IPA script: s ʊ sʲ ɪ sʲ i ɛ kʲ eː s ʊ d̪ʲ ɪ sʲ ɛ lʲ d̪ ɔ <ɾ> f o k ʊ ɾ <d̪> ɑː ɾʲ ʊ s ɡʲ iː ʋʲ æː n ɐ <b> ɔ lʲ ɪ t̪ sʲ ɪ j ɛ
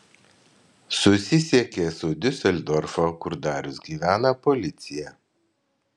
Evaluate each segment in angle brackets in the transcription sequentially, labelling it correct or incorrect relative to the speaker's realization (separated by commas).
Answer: correct, correct, incorrect